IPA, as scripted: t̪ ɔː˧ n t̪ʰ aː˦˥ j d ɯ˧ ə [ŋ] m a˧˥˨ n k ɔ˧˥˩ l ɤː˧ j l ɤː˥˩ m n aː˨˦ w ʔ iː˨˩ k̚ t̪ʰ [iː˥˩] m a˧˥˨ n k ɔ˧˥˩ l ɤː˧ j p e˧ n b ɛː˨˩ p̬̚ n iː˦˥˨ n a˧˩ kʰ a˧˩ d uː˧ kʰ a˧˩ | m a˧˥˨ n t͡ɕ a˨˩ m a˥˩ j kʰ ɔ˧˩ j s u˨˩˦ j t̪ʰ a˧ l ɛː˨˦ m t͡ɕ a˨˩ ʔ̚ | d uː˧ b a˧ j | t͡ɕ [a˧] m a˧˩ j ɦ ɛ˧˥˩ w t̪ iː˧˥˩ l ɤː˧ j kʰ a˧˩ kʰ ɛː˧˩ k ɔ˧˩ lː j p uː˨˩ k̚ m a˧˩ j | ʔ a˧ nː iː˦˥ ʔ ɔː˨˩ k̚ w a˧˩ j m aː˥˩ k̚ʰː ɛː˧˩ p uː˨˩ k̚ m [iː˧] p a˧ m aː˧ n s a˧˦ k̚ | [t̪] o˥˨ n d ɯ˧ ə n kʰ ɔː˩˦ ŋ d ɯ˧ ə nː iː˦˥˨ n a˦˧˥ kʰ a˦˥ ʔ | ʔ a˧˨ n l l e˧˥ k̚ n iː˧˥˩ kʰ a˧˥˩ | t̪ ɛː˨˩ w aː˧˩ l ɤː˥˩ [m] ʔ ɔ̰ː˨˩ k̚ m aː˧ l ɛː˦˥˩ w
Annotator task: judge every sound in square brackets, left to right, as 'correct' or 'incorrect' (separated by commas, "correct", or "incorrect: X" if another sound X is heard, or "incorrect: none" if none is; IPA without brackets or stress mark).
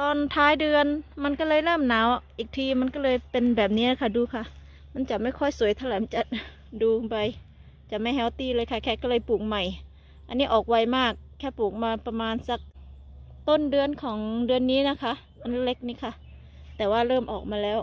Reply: incorrect: n, incorrect: iː˧, incorrect: a˨˩, incorrect: aː˧, correct, correct